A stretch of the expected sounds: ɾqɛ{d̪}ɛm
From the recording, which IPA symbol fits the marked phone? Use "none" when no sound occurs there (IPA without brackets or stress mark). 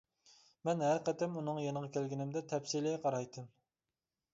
t̪